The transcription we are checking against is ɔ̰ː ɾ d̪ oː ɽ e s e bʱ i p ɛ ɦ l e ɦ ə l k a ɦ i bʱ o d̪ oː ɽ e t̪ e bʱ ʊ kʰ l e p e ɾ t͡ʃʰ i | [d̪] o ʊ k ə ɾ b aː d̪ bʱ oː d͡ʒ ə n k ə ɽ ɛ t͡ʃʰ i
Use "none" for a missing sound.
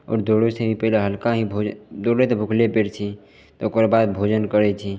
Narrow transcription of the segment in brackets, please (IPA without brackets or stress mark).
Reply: t̪